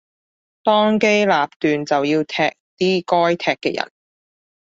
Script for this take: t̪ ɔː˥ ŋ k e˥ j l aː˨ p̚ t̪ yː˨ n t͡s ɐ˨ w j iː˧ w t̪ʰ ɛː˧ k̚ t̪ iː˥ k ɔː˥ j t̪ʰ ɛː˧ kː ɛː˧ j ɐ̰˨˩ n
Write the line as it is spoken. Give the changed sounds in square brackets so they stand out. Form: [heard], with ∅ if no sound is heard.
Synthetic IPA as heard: t̪ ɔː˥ ŋ k e˥ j l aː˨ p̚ t̪ yː˨ n t͡s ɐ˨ w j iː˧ w t̪ʰ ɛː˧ k̚ t̪ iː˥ k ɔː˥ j t̪ʰ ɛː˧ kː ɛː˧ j ɐ̰˨˩ n